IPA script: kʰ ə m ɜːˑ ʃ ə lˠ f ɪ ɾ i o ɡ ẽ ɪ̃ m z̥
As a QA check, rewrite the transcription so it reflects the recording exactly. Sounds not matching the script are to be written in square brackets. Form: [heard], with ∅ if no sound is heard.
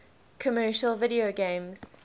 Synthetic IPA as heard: kʰ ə m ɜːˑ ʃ ə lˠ [v] ɪ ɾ i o ɡ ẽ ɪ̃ m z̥